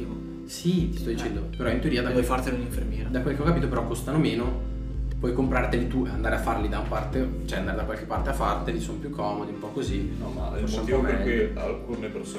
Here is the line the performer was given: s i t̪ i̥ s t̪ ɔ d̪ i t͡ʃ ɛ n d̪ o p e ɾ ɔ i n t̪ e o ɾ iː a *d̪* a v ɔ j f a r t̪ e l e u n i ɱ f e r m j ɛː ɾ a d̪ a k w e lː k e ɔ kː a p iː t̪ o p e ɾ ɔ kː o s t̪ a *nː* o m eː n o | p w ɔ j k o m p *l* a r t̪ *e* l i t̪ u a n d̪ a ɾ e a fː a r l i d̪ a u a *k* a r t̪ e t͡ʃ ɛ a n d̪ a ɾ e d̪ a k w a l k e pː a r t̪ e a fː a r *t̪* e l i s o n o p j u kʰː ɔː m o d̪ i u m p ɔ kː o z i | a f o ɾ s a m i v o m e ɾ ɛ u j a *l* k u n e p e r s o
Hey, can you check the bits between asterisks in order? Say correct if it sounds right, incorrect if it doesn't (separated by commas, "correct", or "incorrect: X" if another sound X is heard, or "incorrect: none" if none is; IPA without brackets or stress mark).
correct, incorrect: n, incorrect: ɾ, correct, incorrect: p, correct, correct